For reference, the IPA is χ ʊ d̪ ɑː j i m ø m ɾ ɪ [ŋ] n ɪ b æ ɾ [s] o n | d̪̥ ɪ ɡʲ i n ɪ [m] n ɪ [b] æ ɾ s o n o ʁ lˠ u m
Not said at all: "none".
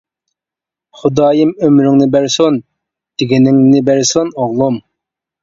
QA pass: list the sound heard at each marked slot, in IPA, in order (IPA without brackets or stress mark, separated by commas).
ŋ, s, ŋ, b